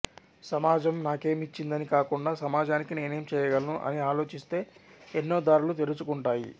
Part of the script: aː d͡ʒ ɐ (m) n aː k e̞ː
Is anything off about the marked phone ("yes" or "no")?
no